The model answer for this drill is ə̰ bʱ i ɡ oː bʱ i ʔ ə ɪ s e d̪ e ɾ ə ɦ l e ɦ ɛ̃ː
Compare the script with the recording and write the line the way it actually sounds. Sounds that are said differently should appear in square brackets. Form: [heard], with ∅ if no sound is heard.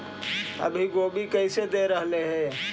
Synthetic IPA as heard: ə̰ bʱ i ɡ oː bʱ i [k] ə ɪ s e d̪ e ɾ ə ɦ l e ɦ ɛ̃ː